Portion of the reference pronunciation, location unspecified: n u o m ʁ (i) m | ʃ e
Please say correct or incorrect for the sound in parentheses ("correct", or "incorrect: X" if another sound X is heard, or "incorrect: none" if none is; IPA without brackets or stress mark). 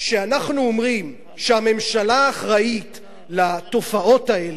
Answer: correct